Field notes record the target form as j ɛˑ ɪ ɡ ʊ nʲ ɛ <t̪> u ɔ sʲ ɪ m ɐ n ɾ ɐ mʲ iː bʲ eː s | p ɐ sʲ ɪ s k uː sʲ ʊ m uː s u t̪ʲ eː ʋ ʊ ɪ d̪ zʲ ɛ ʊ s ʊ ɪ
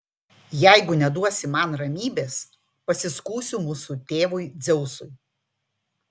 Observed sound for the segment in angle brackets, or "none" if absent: d̪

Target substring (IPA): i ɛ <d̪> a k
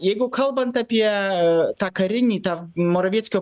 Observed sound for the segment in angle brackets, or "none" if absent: t̪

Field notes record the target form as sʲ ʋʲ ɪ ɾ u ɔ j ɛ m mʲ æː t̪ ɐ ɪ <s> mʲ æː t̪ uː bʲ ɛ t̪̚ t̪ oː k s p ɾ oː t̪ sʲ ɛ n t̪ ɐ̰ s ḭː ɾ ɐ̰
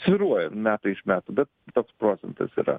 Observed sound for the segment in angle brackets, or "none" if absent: ʃ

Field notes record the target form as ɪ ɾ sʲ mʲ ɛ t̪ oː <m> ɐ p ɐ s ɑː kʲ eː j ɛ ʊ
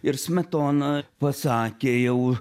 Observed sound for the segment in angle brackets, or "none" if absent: n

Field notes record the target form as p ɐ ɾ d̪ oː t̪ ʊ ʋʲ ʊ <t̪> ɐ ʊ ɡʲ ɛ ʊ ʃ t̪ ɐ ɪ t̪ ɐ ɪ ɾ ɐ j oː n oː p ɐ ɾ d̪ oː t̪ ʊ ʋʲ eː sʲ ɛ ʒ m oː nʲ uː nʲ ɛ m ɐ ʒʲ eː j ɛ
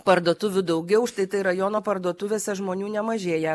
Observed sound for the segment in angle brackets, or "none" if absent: d̪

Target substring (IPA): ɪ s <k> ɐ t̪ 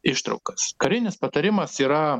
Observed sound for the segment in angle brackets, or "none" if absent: p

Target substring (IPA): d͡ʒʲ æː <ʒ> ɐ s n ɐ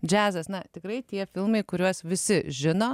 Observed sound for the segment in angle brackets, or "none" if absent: z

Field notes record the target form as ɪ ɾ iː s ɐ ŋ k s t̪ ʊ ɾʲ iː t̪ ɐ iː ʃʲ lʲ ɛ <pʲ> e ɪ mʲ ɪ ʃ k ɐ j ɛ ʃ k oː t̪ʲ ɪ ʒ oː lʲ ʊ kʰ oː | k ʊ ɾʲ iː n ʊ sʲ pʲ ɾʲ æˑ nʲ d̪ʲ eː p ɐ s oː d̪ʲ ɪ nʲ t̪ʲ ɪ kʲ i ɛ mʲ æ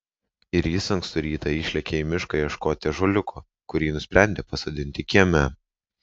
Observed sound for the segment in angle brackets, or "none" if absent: kʲ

